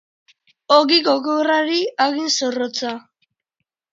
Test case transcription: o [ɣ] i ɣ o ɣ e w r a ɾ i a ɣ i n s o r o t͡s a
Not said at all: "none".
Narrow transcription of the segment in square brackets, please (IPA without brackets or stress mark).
ɣ